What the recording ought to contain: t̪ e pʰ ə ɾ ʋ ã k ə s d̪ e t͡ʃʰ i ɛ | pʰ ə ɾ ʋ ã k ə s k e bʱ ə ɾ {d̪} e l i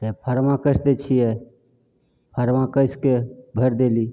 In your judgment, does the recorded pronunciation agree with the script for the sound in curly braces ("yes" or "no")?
yes